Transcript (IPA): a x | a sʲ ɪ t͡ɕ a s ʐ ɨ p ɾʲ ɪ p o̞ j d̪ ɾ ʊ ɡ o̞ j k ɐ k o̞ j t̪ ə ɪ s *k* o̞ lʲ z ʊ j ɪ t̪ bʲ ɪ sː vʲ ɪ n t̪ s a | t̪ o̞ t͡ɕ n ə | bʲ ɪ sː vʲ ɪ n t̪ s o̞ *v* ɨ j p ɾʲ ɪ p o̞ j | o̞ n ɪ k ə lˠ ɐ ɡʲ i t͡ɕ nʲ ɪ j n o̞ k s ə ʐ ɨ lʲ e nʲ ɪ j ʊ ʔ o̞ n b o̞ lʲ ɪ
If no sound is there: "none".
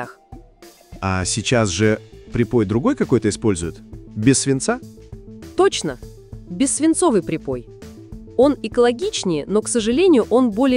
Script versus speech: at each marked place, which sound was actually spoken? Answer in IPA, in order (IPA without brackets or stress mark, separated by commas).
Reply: p, v